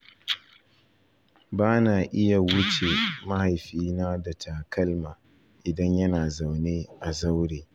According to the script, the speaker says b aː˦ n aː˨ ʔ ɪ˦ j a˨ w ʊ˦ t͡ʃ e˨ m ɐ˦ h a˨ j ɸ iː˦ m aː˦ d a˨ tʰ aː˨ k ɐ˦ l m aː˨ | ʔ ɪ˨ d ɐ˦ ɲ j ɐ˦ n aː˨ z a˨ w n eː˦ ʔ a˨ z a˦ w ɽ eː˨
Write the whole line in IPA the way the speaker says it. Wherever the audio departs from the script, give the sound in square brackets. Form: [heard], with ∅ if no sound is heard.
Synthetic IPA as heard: b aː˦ n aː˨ ʔ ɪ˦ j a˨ w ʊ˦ t͡ʃ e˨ m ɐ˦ h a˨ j ɸ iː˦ [n] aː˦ d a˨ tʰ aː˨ k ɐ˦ l m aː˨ | ʔ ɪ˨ d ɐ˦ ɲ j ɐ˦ n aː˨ z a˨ w n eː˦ ʔ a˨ z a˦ w ɽ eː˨